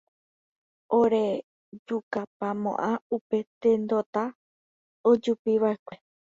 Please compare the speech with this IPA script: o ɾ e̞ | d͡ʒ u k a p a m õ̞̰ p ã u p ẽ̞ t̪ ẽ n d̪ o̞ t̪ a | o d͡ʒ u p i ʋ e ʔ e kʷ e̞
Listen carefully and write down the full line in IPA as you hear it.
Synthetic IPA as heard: o ɾ e̞ | d͡ʒ u k a p a m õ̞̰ ʔ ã u p e̞ t̪ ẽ n d̪ o̞ t̪ a | o d͡ʒ u p i ʋ a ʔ e kʷ e̞